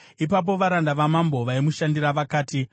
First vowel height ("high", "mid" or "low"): high